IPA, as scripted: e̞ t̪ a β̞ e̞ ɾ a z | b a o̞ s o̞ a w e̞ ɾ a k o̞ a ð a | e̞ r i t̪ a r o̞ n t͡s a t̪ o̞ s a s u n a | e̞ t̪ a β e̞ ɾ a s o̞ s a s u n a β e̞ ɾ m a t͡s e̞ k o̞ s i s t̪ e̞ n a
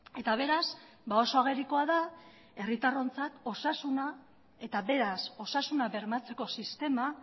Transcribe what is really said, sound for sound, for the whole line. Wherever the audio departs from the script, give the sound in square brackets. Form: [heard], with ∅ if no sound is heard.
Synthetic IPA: e̞ t̪ a β̞ e̞ ɾ a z | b a o̞ s o̞ a [ɣ] e̞ ɾ [i] k o̞ a ð a | e̞ r i t̪ a r o̞ n t͡s a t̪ o̞ s a s u n a | e̞ t̪ a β e̞ ɾ a s o̞ s a s u n a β e̞ ɾ m a t͡s e̞ k o̞ s i s t̪ e̞ [m] a